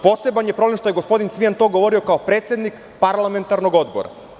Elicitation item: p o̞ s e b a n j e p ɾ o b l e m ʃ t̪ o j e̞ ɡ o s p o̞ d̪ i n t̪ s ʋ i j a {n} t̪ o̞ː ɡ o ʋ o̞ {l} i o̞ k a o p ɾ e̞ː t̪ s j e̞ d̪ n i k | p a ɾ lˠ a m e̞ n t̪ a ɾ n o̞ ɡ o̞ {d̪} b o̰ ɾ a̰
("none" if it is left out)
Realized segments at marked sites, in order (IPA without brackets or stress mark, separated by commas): n, ɾ, d̪